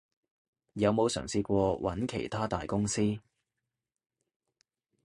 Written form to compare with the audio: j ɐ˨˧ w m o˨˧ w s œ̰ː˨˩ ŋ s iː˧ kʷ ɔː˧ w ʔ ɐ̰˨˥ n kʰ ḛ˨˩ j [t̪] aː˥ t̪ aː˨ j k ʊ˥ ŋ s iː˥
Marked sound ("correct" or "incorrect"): incorrect